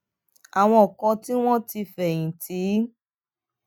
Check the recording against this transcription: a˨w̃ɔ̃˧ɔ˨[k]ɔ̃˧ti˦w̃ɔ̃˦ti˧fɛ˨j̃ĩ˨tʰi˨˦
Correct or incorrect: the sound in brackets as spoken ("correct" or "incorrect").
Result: correct